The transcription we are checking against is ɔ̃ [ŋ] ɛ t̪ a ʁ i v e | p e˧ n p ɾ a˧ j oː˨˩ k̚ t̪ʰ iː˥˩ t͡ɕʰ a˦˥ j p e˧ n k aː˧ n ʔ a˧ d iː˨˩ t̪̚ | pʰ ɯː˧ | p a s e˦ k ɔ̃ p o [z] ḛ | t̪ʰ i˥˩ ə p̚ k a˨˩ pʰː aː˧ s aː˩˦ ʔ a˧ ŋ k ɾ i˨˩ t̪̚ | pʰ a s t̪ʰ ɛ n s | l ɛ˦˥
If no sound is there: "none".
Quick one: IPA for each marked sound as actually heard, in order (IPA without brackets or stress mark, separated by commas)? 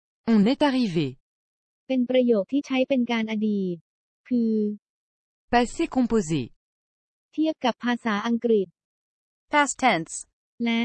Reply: n, z